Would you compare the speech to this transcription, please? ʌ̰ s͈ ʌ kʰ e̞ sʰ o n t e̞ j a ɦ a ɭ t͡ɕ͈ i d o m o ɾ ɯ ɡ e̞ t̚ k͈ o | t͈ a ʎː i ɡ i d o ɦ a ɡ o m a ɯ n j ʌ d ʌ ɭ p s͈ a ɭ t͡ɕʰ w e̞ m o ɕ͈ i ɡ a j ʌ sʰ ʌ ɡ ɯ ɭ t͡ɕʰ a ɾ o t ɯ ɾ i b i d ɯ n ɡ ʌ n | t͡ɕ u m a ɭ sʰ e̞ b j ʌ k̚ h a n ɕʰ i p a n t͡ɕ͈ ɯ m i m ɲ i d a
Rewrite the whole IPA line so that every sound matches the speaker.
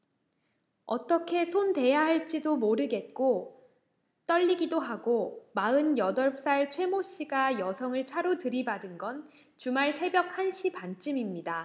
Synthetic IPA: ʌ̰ t͈ ʌ kʰ e̞ sʰ o n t e̞ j a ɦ a ɭ t͡ɕ͈ i d o m o ɾ ɯ ɡ e̞ t̚ k͈ o | t͈ ʌ ʎː i ɡ i d o ɦ a ɡ o m a ɯ n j ʌ d ʌ ɭ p s͈ a ɭ t͡ɕʰ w e̞ m o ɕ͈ i ɡ a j ʌ sʰ ʌ ŋ ɯ ɭ t͡ɕʰ a ɾ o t ɯ ɾ i b a d ɯ n ɡ ʌ n | t͡ɕ u m a ɭ sʰ e̞ b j ʌ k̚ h a n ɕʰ i p a n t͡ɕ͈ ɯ m i m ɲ i d a